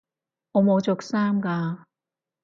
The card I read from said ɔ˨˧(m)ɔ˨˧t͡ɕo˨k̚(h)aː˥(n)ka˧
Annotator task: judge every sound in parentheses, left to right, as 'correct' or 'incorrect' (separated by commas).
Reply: correct, incorrect, incorrect